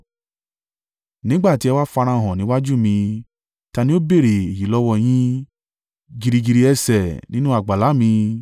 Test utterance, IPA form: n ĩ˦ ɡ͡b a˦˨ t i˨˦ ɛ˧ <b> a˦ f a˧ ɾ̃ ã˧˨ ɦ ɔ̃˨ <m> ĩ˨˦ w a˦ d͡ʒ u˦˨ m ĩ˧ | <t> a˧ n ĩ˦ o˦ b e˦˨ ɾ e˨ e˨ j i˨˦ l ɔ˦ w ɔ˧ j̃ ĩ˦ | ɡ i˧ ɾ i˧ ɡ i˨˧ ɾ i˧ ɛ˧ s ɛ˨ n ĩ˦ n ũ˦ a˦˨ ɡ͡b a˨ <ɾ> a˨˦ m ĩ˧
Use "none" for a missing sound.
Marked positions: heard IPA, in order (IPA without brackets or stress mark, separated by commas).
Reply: w, n, t, l